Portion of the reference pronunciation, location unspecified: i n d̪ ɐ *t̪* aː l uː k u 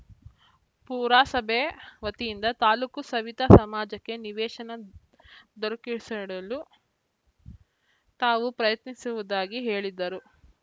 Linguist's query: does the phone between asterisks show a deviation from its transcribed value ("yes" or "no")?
no